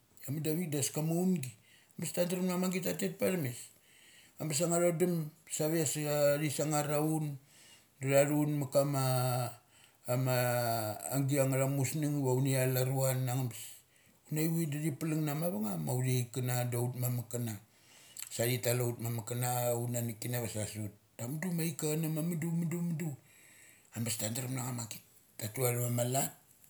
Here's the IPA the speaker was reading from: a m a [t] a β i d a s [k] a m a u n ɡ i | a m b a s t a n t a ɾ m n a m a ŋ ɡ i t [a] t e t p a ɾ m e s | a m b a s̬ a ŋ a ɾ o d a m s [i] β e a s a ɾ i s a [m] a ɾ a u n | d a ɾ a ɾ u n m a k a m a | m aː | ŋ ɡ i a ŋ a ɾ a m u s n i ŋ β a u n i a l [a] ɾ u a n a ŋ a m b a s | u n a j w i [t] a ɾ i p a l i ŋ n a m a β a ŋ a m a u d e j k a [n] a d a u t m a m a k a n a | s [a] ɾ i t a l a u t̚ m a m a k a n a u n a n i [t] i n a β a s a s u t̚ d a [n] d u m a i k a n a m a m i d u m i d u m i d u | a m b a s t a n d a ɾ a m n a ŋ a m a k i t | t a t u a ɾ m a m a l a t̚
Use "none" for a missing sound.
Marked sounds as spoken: d, k, a, a, ŋ, a, d, n, a, k, m

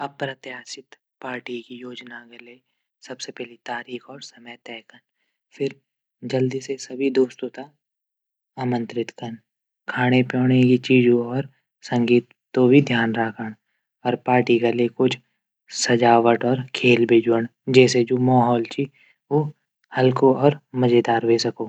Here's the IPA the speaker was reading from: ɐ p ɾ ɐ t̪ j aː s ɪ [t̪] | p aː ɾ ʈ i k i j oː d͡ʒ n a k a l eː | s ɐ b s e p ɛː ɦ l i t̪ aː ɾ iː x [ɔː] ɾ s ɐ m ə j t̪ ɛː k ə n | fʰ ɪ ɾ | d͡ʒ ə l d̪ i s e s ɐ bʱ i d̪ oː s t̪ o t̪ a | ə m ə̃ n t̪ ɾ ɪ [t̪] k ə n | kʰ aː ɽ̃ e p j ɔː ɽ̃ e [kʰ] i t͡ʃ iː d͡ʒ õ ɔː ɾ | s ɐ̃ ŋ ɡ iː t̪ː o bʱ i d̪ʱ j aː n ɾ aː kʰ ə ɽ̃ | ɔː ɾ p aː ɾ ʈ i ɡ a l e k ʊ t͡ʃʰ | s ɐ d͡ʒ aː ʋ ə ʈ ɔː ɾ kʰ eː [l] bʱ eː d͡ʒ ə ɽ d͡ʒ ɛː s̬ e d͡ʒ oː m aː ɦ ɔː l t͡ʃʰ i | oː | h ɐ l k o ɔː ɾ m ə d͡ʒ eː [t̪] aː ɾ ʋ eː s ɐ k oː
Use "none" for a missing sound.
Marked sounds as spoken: t̪, ɔː, t̪, k, l, d̪

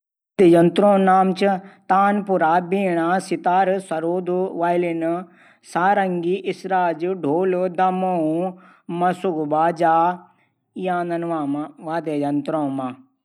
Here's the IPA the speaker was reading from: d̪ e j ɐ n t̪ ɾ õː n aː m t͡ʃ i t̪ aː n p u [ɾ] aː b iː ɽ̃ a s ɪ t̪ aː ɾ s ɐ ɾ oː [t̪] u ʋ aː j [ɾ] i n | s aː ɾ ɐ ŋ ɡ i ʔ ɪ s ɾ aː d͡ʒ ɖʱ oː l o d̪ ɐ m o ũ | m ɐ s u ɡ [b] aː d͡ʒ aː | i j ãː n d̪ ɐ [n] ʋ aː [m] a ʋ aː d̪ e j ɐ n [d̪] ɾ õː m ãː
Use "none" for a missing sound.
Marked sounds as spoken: ɾ, d̪, l, b, n, m, t̪

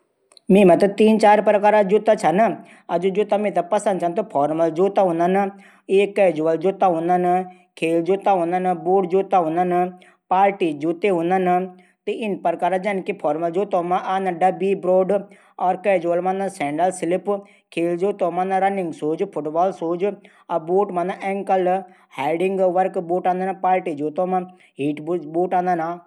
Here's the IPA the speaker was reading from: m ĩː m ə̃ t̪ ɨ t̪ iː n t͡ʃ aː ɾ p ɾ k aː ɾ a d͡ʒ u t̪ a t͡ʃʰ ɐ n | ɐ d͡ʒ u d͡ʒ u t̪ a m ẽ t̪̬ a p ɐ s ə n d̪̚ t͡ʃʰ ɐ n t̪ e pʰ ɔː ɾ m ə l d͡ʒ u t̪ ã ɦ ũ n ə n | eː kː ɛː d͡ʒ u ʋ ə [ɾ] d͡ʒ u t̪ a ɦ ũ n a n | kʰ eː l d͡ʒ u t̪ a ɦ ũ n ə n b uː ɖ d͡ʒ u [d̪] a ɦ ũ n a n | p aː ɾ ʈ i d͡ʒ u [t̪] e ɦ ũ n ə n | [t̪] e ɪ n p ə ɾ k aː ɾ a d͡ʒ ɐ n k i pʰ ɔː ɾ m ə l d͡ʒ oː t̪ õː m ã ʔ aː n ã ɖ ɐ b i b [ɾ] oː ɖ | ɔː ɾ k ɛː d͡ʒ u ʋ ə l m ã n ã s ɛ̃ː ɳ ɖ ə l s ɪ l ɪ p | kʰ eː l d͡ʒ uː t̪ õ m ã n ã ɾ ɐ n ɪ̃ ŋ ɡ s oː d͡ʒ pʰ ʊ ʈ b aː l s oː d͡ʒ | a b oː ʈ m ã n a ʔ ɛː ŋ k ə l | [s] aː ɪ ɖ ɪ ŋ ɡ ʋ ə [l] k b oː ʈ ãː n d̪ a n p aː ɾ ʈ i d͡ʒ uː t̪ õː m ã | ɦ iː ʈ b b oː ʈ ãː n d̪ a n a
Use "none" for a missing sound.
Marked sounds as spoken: l, t̪, t̪, t̪, ɾ, h, ɾ

